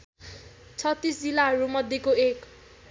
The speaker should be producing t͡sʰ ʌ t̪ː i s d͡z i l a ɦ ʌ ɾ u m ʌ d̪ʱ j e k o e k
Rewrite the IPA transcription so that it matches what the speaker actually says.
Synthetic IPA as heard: t͡sʰ ʌ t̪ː i s d͡z i l a ɦ ʌ ɾ u m ʌ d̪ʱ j e k o e k